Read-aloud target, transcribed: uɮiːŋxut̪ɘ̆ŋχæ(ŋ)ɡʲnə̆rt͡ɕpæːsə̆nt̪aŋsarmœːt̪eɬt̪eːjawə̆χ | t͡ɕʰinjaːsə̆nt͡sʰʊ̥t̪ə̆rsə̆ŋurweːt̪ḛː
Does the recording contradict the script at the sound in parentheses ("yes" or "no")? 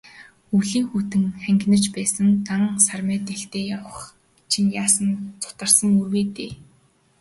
no